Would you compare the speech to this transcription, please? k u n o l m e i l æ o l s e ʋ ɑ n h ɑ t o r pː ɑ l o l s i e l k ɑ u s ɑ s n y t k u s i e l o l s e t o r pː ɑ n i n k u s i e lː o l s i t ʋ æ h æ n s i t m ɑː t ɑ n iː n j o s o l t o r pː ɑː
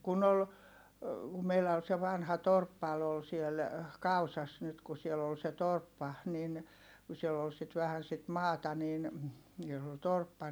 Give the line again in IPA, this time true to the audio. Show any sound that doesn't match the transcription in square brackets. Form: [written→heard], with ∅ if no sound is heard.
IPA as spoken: k u n o l m e i l æ o l s e ʋ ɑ n h ɑ t o r pː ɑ l o l s i e l k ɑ u s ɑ s n y t k u s i e l o l s e t o r pː ɑ n i n k u s i e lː o l s i t ʋ æ h æ n s i t m ɑː t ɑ n iː n j o s o l t o r pː [ɑː→ɑ]